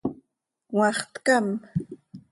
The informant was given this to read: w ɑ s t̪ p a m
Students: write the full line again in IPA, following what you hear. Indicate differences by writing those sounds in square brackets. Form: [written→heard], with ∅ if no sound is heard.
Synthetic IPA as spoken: w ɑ [s→χ] t̪ [p→k] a m